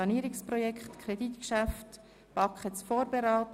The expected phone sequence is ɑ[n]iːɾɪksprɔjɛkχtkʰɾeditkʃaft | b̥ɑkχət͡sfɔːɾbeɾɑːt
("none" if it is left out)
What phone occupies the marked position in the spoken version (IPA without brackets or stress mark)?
n